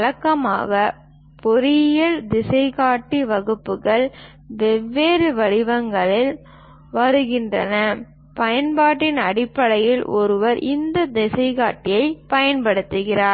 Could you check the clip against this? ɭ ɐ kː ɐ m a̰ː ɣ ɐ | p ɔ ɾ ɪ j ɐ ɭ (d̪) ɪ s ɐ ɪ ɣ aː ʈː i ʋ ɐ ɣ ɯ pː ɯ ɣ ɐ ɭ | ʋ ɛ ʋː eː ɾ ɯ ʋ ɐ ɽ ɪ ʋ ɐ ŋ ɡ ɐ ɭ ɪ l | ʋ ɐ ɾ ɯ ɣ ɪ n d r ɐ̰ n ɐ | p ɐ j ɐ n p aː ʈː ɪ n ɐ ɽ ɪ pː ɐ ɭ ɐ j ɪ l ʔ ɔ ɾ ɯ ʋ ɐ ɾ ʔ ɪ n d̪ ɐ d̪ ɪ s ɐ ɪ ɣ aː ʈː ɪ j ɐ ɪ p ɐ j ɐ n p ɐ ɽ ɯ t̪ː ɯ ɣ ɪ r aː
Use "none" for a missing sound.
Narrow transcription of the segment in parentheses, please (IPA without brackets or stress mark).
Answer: d̪